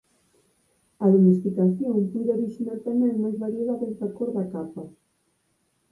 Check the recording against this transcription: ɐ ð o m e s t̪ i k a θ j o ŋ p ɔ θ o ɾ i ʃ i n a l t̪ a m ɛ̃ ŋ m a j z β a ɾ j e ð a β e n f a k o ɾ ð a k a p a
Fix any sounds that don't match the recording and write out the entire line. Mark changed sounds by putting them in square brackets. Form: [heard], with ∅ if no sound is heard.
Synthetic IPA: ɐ ð o m e s t̪ i k a θ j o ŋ p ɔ [ð] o ɾ i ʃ i n a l t̪ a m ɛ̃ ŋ m a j z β a ɾ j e ð a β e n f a k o ɾ ð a k a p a